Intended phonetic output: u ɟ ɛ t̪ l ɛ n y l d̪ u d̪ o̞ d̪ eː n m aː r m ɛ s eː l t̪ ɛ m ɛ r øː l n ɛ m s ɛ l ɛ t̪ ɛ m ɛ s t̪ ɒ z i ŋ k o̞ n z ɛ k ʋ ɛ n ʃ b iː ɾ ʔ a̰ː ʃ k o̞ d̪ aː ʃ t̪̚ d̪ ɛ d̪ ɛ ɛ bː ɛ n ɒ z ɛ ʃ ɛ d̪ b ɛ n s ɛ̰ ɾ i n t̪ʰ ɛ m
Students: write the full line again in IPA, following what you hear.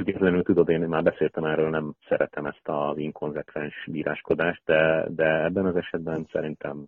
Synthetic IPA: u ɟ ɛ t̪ l ɛ n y l t̪ u d̪ o̞ d̪ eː n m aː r b ɛ s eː l t̪ ɛ m ɛ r øː l n ɛ m s ɛ ɾ ɛ t̪ ɛ m ɛ s t̪ ɒ z i ŋ k o̞ n z ɛ k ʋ ɛ n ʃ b iː ɾ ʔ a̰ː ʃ k o̞ d̪ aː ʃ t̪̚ d̪ ɛ d̪ ɛ ɛ bː ɛ n ɒ z ɛ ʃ ɛ d̪ b ɛ n s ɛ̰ ɾ i n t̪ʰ ɛ m